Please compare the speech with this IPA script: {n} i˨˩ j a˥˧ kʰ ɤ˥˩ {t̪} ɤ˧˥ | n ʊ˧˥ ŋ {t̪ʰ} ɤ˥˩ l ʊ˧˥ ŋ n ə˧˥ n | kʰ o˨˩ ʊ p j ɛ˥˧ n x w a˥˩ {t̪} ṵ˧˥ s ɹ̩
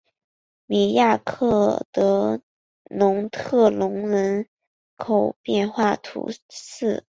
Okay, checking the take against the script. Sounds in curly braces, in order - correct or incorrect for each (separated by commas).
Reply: incorrect, correct, correct, incorrect